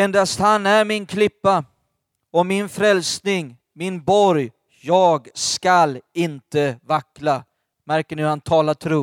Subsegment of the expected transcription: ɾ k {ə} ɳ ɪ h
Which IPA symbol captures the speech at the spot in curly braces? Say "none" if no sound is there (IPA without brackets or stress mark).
ə